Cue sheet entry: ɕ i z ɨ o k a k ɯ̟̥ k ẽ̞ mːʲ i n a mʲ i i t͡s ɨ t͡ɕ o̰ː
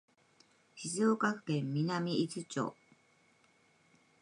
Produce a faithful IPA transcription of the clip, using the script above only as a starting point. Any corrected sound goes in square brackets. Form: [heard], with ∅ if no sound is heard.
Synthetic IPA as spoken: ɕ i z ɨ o k a k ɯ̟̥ k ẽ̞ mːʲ i n a mʲ i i t͡s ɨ t͡ɕ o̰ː